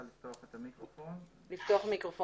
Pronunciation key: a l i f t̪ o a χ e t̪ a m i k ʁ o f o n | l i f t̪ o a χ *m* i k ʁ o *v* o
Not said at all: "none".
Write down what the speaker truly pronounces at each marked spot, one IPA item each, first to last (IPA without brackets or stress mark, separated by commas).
m, f